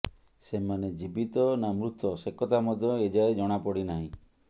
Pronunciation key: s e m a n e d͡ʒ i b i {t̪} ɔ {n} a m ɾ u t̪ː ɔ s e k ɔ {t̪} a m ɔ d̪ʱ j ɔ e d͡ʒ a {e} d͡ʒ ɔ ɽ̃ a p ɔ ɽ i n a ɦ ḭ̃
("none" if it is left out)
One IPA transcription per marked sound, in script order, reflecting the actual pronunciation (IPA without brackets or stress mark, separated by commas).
t̪, n, t̪, e